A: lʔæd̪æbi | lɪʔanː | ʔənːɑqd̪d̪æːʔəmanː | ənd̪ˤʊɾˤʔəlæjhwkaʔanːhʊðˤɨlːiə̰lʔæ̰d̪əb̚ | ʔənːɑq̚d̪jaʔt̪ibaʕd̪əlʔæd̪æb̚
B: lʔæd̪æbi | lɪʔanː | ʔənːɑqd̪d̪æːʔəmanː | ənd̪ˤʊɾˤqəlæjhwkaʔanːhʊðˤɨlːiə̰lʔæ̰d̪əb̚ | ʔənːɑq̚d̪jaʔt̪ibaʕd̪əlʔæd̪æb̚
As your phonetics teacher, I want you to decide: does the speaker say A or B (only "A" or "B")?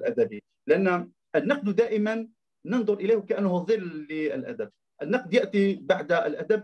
A